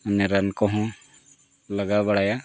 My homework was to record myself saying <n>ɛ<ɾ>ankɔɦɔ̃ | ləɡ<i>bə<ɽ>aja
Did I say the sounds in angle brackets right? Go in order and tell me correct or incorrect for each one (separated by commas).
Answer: correct, correct, incorrect, correct